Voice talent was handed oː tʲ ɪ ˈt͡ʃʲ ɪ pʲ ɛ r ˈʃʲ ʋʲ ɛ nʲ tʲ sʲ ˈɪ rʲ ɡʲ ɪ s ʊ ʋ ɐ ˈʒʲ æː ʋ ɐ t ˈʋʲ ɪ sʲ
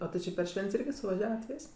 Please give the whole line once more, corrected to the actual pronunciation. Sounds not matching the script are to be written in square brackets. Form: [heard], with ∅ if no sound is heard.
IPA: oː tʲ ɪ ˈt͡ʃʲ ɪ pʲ ɛ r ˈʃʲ ʋʲ ɛ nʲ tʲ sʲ ˈɪ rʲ ɡʲ ɪ s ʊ ʋ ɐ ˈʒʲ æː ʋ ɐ t ˈʋʲ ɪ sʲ